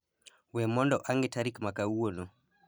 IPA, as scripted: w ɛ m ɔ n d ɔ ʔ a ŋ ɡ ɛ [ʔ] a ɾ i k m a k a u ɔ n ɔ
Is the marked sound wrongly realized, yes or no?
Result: yes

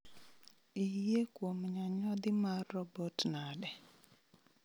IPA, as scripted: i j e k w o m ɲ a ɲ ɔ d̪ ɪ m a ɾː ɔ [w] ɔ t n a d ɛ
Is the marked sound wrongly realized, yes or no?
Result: yes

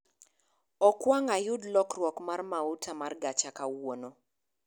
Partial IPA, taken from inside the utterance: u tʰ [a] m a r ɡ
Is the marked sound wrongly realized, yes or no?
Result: no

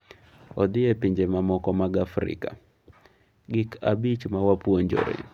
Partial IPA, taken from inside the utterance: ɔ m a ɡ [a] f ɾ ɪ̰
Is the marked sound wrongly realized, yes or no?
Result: no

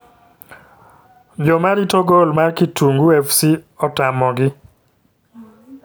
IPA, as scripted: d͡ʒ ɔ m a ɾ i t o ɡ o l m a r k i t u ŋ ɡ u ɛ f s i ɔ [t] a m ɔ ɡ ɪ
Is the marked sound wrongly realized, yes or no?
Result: no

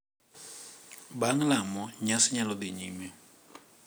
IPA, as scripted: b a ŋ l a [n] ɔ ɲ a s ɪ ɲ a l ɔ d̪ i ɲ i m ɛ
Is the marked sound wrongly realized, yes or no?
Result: yes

